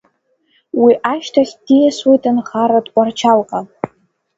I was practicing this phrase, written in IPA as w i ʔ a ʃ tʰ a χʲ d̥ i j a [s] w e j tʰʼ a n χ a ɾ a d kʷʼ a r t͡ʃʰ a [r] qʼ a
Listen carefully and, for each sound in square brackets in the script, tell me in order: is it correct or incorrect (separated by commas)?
correct, incorrect